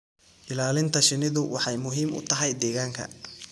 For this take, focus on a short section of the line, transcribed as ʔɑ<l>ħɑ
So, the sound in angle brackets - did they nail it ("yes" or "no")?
no